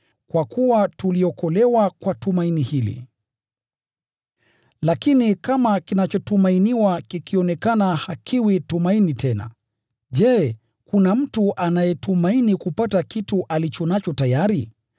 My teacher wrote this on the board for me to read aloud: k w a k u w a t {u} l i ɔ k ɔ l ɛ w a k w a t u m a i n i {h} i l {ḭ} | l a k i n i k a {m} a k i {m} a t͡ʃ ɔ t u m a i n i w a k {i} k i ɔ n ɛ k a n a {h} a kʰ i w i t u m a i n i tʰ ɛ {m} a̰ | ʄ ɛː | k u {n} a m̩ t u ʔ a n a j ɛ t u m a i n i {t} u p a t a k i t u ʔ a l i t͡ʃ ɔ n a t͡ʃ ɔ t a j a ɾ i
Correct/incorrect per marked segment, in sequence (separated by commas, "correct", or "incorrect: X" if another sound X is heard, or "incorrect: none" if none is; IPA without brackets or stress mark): correct, correct, correct, correct, incorrect: n, correct, correct, incorrect: n, correct, incorrect: k